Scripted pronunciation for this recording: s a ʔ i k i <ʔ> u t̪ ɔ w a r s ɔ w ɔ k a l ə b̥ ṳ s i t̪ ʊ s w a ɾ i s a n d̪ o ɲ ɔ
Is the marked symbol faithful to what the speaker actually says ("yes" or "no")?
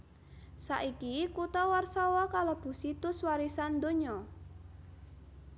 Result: no